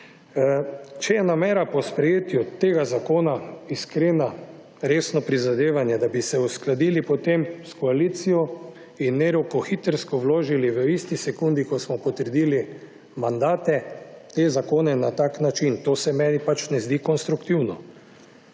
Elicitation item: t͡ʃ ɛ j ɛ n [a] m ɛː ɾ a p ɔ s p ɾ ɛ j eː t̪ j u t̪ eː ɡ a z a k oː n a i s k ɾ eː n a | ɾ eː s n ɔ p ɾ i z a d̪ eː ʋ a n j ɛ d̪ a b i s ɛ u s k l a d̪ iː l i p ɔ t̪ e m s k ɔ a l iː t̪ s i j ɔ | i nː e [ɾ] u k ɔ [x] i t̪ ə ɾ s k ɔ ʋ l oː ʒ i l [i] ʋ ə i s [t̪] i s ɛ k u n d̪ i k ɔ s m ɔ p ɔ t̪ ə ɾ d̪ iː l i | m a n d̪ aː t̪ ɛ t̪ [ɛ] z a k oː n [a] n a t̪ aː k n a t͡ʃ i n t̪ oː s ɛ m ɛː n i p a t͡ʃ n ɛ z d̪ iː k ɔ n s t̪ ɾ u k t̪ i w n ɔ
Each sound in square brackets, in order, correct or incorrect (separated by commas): correct, correct, correct, correct, correct, incorrect, incorrect